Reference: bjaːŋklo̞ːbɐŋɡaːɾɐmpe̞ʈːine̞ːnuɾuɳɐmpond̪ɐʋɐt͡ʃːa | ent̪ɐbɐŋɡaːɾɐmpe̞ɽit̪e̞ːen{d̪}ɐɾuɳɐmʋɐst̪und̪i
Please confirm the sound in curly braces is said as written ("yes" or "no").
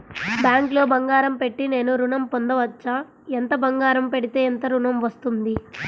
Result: no